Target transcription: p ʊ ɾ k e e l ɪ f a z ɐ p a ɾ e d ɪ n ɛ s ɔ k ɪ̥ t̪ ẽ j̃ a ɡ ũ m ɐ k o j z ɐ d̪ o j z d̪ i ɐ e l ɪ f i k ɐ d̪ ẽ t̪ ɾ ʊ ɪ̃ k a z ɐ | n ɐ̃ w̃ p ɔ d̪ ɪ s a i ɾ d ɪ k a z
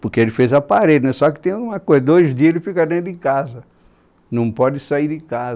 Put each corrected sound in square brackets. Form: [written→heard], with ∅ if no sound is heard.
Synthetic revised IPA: p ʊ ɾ k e e l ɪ f [a→e] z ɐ p a ɾ e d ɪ n ɛ s ɔ k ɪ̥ t̪ ẽ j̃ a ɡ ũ m ɐ k o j z ɐ d̪ o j z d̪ i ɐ e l ɪ f i k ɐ d̪ ẽ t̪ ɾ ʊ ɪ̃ k a z ɐ | n ɐ̃ w̃ p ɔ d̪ ɪ s a i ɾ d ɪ k a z